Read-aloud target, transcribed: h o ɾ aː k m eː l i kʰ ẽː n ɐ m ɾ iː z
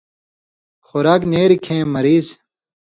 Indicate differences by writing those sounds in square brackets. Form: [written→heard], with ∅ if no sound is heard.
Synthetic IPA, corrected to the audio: [h→x] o ɾ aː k [m→n] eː [l→ɾ] i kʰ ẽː [n→m] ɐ [m→∅] ɾ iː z